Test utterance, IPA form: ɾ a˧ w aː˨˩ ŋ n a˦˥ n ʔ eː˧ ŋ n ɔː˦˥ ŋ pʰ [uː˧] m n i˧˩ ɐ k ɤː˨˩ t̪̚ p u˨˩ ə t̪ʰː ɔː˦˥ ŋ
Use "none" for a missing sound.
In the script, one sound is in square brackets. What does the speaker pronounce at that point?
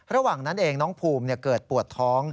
uː˧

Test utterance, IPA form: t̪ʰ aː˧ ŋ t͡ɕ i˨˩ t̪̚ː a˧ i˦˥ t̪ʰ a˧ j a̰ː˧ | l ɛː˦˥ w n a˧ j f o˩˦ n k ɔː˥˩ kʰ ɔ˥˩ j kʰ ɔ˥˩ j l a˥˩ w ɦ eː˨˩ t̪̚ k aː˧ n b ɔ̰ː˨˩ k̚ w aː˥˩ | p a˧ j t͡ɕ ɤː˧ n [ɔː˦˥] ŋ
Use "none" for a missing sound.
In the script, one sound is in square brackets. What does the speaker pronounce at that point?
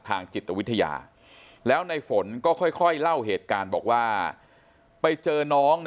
ɔː˦˥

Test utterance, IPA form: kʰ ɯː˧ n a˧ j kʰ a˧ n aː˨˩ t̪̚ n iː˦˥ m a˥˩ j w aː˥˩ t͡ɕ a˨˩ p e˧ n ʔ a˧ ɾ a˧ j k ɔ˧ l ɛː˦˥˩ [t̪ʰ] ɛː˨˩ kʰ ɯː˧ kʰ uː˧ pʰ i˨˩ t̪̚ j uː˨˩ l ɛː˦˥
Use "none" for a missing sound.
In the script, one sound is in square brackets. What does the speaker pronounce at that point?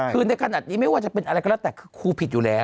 t̪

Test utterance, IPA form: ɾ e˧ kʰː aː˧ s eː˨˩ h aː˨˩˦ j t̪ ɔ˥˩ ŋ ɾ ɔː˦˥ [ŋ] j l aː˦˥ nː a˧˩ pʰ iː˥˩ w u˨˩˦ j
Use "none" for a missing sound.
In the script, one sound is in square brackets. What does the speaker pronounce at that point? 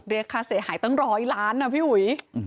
none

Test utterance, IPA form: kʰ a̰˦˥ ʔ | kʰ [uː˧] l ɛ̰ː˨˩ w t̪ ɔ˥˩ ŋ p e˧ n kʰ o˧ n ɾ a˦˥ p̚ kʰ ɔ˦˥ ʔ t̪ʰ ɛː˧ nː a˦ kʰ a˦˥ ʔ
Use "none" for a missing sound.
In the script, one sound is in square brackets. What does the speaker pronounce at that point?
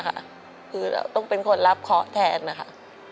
ɯː˧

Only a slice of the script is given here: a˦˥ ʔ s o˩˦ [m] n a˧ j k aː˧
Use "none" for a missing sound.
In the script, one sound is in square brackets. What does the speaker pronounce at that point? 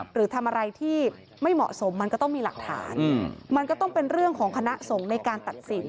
ŋ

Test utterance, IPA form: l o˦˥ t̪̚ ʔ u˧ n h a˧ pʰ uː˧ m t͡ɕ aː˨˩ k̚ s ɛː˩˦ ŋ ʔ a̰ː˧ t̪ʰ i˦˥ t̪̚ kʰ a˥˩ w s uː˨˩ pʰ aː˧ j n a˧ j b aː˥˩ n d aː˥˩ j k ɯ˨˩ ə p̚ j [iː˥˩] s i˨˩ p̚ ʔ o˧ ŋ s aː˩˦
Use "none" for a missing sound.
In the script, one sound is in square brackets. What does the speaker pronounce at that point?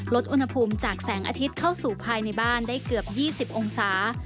iː˥˩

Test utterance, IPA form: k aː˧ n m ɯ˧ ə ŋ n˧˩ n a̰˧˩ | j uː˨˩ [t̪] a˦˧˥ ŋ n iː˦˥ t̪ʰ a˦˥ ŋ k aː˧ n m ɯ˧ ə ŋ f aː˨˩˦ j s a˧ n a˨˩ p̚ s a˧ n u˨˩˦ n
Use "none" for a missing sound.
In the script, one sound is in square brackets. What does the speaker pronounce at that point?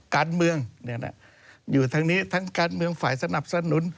t̪ʰ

